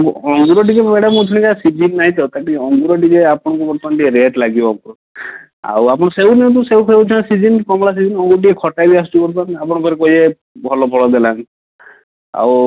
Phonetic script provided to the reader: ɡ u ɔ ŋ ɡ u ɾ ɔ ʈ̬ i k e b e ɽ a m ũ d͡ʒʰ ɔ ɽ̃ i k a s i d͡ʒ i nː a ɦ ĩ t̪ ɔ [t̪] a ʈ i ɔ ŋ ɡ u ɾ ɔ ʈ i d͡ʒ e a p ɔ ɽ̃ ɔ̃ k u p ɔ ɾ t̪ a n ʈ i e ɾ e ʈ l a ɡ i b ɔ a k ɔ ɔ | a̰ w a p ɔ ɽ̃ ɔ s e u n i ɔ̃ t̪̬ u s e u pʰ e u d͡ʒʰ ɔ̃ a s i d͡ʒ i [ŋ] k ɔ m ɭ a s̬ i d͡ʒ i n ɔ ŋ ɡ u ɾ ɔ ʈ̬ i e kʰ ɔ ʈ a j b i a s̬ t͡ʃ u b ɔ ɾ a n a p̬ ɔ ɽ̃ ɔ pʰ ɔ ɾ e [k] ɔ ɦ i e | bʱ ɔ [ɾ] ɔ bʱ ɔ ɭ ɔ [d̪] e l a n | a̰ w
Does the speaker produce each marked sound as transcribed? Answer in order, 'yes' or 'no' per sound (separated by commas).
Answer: yes, no, yes, no, yes